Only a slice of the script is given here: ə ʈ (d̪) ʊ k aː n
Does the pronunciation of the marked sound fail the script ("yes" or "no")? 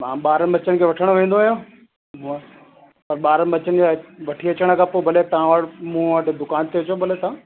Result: no